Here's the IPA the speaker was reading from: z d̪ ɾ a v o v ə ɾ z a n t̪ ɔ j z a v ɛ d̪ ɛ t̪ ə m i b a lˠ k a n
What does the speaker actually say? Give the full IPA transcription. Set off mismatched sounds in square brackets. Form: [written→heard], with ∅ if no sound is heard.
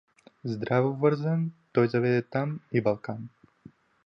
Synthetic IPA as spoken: z d̪ ɾ a v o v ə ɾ z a n t̪ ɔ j z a v ɛ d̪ ɛ t̪ [ə→a] m i b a lˠ k a n